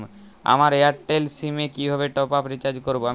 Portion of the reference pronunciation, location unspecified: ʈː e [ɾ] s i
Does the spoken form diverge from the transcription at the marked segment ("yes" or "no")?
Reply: yes